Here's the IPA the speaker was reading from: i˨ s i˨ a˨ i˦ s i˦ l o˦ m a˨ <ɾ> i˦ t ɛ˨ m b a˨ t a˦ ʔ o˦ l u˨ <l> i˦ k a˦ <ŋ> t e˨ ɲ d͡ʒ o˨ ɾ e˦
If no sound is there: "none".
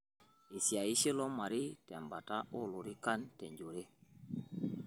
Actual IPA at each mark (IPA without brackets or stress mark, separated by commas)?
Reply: ɾ, ɾ, n